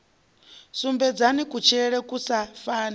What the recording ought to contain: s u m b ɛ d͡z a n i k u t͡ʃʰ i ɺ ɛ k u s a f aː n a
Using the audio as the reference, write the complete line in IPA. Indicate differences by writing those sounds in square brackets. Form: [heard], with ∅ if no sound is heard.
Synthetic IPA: s u m b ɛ d͡z a n i k u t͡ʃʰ [ɛ] ɺ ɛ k u s a f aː n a